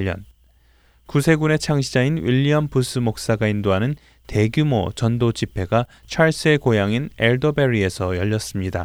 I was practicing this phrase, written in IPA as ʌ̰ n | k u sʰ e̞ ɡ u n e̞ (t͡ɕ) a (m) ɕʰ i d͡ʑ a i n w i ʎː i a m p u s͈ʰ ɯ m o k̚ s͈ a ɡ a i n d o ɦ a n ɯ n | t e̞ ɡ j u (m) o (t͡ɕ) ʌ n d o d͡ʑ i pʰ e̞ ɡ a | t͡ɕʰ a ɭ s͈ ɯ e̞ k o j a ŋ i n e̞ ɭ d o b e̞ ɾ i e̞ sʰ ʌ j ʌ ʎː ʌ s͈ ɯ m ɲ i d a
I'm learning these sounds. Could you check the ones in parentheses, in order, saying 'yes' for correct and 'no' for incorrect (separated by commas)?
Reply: no, no, yes, yes